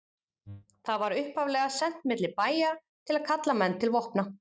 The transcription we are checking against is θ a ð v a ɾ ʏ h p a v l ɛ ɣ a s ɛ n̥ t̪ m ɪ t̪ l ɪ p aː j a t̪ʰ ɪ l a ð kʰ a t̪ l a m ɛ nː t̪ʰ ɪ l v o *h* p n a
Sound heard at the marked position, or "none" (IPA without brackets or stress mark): h